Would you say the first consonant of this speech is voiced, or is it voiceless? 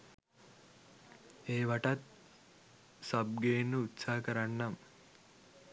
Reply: voiced